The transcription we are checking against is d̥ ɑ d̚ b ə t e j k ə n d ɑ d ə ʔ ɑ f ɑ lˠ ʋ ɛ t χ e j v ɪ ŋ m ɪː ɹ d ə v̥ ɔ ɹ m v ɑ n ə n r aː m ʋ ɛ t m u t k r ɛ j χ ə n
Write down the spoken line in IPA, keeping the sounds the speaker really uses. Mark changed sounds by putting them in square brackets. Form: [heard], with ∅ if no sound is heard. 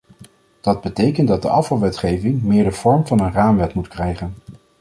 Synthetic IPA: d̥ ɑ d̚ b ə t e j k ə n d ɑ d ə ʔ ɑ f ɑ lˠ ʋ ɛ t χ e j v ɪ ŋ m ɪː ɹ d ə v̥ ɔ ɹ m v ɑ n ə n r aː m ʋ ɛ t m u t k r ɛ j χ ə n